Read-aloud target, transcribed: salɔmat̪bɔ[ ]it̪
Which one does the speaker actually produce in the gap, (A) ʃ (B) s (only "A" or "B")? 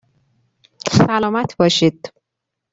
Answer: A